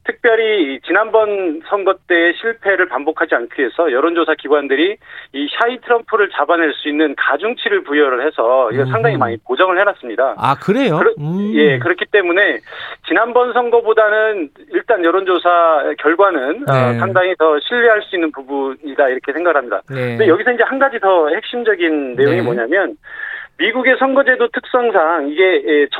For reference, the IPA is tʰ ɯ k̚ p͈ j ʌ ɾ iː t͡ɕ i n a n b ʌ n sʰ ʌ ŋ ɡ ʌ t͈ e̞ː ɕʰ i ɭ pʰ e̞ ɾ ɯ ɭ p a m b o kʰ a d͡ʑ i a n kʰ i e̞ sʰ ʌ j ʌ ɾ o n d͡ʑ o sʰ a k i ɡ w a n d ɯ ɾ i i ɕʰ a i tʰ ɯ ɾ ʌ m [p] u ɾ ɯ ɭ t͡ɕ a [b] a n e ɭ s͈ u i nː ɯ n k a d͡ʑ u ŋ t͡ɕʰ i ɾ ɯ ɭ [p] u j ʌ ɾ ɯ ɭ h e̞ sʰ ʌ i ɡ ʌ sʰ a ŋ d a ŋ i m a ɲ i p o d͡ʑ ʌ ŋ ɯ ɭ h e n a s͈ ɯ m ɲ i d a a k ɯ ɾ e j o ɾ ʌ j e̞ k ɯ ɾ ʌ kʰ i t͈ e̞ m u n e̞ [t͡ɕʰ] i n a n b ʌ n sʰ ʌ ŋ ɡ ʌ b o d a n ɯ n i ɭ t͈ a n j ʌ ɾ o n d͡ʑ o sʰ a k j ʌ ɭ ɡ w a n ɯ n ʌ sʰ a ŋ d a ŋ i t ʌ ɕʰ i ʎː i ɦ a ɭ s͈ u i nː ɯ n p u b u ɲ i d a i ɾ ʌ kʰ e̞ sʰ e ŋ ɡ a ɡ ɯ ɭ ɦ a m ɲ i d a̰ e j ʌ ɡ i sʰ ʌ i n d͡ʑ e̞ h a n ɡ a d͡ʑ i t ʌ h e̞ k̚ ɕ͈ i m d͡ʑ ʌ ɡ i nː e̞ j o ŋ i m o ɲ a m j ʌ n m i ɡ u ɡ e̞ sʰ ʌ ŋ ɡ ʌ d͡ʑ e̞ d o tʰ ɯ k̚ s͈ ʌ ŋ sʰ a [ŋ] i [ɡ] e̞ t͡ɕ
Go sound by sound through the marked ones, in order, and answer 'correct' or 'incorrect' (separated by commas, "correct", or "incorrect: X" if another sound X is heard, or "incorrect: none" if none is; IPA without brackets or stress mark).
incorrect: pʰ, correct, correct, incorrect: t͡ɕ, correct, correct